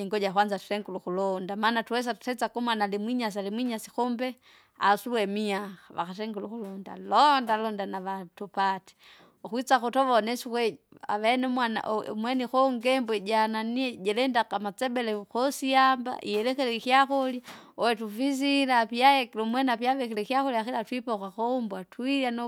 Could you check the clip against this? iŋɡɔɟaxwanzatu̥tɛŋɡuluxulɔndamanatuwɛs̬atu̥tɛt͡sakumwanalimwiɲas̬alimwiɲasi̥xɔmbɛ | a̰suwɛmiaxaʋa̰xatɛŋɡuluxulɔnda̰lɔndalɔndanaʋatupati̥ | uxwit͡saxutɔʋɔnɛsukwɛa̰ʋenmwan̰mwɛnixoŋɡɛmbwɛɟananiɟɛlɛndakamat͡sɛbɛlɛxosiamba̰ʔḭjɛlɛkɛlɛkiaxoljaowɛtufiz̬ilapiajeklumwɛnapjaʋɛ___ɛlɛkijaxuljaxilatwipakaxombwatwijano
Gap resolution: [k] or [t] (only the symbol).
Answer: k